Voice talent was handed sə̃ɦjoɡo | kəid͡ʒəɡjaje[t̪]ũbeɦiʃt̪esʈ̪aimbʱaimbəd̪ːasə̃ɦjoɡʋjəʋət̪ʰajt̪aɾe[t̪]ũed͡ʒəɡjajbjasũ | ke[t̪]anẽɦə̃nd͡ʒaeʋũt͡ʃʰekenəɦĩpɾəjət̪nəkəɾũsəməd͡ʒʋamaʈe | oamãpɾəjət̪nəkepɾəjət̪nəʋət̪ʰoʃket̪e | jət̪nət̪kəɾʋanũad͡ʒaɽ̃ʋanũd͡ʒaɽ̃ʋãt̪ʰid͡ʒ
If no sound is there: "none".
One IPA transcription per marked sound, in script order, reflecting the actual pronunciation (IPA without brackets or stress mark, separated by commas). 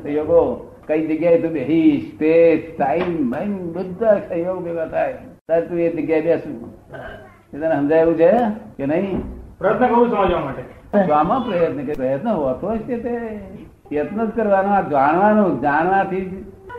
t̪, t̪, t̪